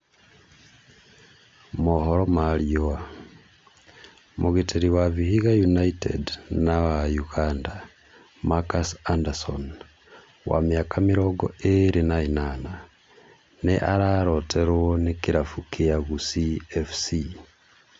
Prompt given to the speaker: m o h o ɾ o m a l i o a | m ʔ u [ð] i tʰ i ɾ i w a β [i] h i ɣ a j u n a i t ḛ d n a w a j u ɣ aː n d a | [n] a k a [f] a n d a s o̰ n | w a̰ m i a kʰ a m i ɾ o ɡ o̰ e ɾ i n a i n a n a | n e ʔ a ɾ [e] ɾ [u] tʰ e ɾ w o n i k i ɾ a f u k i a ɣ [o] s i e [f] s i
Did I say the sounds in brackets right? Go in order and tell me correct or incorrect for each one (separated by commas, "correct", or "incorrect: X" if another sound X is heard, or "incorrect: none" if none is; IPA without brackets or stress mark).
incorrect: ɣ, correct, incorrect: m, incorrect: s, incorrect: a, incorrect: o, incorrect: u, correct